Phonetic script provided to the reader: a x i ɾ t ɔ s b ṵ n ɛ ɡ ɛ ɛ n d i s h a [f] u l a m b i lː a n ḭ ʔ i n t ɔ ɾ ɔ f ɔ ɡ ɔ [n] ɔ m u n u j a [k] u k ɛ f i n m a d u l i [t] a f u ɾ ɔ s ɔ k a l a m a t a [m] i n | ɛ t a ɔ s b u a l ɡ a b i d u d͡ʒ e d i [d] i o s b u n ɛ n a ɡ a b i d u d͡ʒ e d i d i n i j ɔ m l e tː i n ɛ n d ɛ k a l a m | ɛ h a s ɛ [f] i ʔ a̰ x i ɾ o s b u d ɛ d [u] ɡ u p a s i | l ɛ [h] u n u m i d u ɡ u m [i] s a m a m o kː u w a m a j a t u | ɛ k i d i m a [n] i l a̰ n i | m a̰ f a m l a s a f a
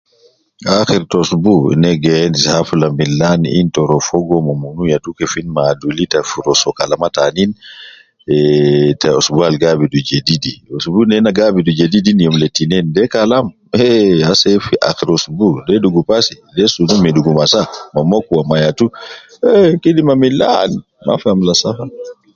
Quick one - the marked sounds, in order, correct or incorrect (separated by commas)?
correct, incorrect, incorrect, correct, incorrect, correct, correct, correct, incorrect, incorrect, incorrect